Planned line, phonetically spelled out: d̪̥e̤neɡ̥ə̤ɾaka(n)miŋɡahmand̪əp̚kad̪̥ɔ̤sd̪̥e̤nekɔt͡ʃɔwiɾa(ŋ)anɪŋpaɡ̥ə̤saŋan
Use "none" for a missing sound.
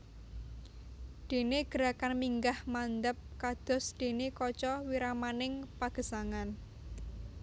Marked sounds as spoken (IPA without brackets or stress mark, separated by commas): n, m